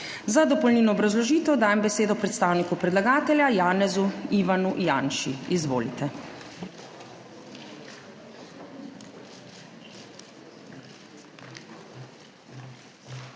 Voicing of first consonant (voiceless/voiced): voiced